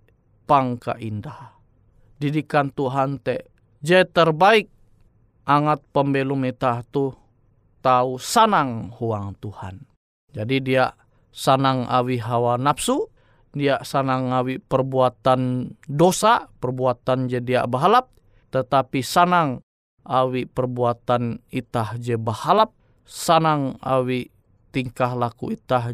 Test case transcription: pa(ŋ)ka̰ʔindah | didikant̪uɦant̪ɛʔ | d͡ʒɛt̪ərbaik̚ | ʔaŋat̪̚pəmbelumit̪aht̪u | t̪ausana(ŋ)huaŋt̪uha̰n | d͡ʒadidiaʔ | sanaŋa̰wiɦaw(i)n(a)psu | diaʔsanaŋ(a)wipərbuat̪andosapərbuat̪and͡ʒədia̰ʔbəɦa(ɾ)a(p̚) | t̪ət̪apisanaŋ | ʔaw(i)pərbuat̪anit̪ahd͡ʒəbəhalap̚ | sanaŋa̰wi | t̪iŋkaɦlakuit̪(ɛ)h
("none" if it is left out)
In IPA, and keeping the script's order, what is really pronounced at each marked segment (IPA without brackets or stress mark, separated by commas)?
ŋ, ŋ, a, a, a, l, p̚, i, a